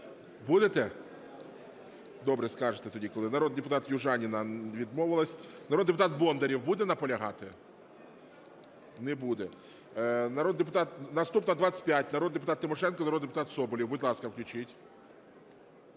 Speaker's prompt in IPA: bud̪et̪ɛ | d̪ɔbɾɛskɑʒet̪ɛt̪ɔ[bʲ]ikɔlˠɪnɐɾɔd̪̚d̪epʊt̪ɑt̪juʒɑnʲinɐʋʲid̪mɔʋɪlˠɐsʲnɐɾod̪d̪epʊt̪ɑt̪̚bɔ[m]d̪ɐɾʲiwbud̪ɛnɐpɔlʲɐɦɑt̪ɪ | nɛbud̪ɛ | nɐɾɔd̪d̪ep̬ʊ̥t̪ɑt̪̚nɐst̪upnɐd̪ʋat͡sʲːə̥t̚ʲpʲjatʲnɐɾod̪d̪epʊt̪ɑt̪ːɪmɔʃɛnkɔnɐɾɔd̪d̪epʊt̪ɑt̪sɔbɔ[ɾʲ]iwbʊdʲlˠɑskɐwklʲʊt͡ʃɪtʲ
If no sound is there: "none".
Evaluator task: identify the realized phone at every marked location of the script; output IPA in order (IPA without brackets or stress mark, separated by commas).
dʲ, n, lʲ